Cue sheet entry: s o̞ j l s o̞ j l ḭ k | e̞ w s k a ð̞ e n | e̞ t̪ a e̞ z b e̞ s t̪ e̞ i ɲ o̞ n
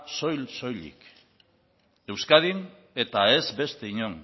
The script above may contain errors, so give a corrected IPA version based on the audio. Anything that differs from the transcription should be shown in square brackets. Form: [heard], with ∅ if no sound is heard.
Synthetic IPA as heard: s o̞ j l s o̞ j l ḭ k | e̞ w s k a ð̞ [i] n | e̞ t̪ a e̞ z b e̞ s t̪ e̞ i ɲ o̞ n